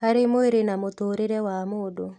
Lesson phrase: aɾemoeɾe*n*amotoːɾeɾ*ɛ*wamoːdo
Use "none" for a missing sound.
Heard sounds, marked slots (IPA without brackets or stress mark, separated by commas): n, ɛ